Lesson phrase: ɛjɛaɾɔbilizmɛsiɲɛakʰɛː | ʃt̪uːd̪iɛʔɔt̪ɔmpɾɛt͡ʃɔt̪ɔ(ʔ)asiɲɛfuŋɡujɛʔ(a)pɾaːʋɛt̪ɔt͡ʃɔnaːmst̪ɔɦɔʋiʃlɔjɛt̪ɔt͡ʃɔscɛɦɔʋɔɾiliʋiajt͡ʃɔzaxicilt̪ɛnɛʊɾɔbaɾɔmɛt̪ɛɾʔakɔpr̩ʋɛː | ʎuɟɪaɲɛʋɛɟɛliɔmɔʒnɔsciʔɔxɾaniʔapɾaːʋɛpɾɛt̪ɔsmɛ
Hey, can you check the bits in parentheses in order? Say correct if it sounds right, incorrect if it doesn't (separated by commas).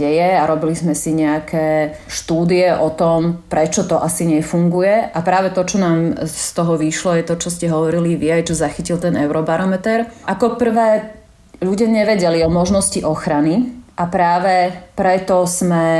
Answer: correct, correct